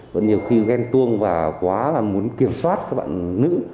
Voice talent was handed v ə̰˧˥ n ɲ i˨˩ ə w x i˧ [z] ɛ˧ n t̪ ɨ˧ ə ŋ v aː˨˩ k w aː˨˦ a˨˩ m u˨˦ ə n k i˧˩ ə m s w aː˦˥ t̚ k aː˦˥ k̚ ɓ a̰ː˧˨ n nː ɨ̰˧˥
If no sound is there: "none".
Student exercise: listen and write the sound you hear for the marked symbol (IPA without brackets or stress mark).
ɣ